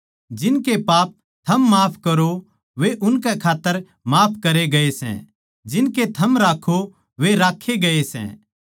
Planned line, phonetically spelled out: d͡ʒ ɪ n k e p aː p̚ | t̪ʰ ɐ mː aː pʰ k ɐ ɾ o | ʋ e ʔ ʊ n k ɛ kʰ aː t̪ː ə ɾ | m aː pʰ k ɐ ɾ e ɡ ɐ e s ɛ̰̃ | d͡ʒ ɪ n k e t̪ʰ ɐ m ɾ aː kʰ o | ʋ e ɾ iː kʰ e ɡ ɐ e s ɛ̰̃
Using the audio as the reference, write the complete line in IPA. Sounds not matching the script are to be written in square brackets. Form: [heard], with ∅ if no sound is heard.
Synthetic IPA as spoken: d͡ʒ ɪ n k e p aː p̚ | t̪ʰ ɐ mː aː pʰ k ɐ ɾ o | ʋ e ʔ ʊ n k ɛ kʰ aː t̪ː ə ɾ | m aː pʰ k ɐ ɾ e ɡ ɐ e s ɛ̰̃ | d͡ʒ ɪ n k e t̪ʰ ɐ m ɾ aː kʰ o | ʋ e ɾ [aː] kʰ e ɡ ɐ e s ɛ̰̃